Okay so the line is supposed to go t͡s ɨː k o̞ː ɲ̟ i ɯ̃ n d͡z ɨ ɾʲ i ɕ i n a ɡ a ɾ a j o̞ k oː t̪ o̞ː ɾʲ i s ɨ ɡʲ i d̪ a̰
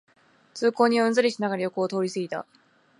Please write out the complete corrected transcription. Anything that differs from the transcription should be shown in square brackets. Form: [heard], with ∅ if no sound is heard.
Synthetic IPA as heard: t͡s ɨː k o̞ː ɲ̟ i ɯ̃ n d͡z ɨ ɾʲ i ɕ i n a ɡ a ɾ a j o̞ k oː t̪ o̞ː ɾʲ i s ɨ ɡʲ i [t̪] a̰